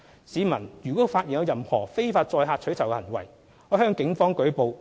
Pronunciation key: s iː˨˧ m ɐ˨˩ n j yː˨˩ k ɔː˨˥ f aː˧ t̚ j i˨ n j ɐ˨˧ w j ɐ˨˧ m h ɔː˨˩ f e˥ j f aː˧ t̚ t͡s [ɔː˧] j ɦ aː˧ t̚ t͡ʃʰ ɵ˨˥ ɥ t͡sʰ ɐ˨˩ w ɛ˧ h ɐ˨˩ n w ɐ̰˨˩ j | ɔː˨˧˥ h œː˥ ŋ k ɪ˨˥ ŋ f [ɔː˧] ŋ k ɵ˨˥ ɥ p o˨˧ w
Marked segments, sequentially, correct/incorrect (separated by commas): correct, incorrect